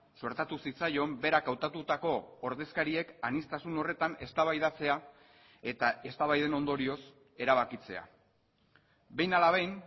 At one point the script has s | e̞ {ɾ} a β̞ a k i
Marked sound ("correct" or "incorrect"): correct